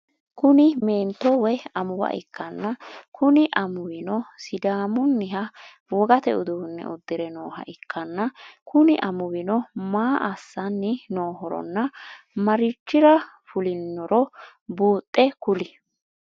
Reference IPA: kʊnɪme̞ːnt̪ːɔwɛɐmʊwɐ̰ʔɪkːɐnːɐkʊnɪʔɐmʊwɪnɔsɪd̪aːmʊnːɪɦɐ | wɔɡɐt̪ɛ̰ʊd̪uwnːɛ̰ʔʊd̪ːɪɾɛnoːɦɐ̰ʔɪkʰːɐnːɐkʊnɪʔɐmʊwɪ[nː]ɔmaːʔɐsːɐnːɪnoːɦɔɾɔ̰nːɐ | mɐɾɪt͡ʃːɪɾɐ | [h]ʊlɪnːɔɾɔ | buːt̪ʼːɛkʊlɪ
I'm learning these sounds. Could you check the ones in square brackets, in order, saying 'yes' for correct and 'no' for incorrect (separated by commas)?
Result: no, no